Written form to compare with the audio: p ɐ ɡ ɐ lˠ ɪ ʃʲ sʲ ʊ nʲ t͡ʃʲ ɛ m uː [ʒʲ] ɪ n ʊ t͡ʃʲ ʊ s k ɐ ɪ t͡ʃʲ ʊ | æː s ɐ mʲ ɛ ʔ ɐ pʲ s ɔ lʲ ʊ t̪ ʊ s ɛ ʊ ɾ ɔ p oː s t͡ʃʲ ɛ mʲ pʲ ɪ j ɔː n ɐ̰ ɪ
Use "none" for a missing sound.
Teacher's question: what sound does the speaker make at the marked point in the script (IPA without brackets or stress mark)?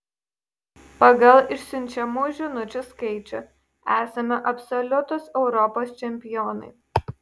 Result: ʒʲ